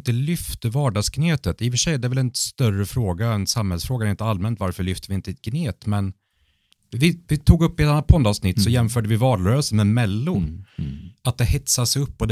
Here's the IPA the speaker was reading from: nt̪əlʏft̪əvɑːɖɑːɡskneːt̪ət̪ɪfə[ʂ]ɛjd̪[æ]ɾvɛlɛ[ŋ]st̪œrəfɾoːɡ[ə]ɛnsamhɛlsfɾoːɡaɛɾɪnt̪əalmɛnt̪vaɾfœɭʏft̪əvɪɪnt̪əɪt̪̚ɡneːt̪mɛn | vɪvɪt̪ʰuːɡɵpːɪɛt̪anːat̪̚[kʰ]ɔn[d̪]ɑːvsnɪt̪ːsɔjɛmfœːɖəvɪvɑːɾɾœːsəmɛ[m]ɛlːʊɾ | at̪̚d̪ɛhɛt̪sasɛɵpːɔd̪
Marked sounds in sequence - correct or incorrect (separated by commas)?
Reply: correct, incorrect, incorrect, incorrect, incorrect, correct, correct